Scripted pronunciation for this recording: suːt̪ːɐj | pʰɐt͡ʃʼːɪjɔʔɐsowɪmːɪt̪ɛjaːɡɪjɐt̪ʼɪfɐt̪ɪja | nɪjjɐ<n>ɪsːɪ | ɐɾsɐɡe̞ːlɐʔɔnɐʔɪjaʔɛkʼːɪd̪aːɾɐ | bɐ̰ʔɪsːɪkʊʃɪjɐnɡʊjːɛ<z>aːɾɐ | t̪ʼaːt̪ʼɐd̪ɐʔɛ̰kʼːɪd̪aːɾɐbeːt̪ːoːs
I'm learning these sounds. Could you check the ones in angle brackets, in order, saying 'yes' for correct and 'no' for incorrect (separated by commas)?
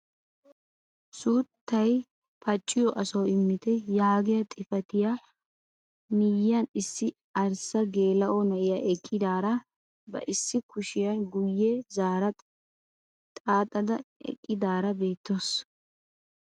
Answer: yes, yes